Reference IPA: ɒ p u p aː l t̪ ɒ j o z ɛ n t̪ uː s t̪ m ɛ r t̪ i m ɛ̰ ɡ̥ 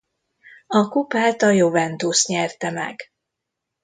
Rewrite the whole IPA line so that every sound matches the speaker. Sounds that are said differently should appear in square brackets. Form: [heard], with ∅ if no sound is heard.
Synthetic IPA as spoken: ɒ [k] u p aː l t̪ ɒ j o [v] ɛ n t̪ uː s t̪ [ɲ] ɛ r t̪ [ɛ] m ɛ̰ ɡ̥